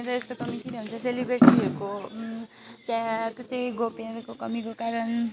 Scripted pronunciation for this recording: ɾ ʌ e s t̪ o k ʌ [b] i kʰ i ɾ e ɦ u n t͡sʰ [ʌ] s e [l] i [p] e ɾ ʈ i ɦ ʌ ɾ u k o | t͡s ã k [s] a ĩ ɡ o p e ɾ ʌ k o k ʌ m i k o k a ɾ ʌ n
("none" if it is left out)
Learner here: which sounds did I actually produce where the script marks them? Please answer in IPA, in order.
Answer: m, ʌ, l, b, t͡s

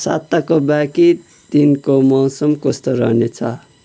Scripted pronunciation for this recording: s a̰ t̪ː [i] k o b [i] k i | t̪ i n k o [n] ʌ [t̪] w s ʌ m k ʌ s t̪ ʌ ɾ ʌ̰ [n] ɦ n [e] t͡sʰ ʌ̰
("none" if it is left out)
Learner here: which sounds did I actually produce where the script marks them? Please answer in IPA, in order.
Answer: a, a, m, none, none, e

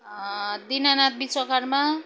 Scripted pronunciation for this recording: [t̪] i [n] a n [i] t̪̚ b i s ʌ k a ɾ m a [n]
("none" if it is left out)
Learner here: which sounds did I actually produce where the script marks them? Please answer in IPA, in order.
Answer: d̪, n, a, none

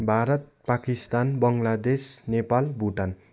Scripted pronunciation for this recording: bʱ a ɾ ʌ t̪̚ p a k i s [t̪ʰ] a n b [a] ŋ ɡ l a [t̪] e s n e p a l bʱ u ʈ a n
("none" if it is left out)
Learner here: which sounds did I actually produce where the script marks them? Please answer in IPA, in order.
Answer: t̪, ʌ, d̪

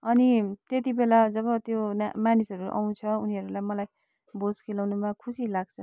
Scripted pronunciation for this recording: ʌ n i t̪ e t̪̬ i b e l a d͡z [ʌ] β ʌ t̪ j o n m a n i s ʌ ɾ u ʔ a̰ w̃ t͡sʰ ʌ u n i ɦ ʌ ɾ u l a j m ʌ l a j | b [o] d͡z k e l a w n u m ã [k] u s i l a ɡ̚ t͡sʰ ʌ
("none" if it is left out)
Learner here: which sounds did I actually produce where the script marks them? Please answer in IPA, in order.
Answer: ʌ, o, kʰ

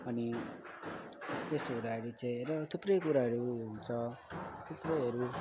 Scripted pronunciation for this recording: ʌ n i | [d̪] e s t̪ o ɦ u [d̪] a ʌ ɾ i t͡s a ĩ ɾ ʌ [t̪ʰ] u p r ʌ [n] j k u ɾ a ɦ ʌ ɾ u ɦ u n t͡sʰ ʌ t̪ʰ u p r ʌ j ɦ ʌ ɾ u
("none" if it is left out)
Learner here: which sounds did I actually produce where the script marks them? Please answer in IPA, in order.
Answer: t̪, d̪, t̪ʰ, none

